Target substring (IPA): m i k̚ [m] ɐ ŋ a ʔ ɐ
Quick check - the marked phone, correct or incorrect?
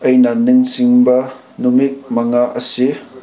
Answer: correct